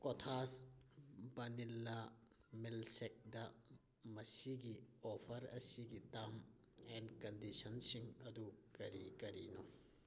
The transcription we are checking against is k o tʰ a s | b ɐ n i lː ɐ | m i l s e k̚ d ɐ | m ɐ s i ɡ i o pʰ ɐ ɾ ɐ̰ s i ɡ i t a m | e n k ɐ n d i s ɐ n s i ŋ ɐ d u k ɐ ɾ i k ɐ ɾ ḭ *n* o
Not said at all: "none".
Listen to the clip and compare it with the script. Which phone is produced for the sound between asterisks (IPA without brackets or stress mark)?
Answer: n